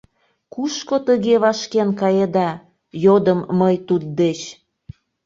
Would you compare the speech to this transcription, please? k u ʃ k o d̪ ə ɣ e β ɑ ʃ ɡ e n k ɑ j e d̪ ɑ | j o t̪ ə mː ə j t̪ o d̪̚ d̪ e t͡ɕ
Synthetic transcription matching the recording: k u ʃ k o t̪ ə ɣ e β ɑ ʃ k e n k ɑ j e d̪ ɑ | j o d̪ ə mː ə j t̪ u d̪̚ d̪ e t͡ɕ